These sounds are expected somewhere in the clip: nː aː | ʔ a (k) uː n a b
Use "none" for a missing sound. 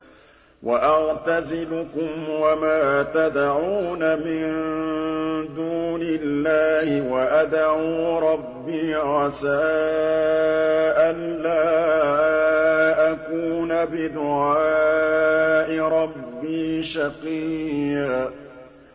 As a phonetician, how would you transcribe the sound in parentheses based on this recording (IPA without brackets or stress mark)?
k